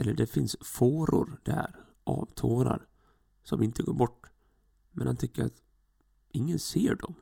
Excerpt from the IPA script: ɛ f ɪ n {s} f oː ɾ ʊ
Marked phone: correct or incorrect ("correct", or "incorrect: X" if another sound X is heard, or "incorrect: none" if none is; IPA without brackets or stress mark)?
correct